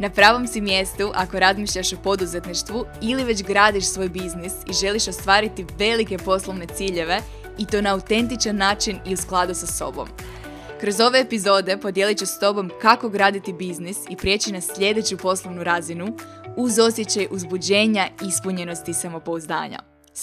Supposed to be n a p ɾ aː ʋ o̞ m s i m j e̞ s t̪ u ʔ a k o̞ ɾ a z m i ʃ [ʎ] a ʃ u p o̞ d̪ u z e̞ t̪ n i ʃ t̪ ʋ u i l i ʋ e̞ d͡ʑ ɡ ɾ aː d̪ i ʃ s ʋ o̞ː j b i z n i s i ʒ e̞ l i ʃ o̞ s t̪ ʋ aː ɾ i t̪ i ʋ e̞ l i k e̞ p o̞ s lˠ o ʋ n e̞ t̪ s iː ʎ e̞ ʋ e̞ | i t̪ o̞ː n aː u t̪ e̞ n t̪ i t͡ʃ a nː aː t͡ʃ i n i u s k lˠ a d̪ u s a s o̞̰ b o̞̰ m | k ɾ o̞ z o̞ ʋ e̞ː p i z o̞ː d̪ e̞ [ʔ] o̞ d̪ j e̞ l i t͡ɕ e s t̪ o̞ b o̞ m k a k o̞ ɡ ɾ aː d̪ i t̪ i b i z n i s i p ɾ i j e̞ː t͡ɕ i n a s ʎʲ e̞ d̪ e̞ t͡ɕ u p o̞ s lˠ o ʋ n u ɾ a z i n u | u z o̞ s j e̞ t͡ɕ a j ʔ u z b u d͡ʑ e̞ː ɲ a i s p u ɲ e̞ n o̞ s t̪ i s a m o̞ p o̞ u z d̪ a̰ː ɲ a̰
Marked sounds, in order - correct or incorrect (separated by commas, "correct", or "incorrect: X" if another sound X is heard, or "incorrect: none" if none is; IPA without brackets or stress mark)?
correct, incorrect: p